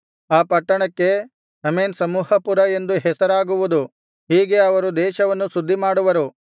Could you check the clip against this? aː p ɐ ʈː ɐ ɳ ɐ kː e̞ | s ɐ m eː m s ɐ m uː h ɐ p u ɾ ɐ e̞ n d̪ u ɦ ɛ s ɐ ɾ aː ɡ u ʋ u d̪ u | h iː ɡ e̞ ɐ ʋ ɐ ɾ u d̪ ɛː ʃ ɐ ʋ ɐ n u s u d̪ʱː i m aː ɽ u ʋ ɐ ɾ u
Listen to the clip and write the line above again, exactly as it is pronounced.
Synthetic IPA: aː p ɐ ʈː ɐ ɳ ɐ kː e̞ | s ɐ m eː n s ɐ m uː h ɐ p u ɾ ɐ e̞ n d̪ u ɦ ɛ s ɐ ɾ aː ɡ u ʋ u d̪ u | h iː ɡ e̞ ɐ ʋ ɐ ɾ u d̪ ɛː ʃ ɐ ʋ ɐ nː u s u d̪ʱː i m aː ɽ u ʋ ɐ ɾ u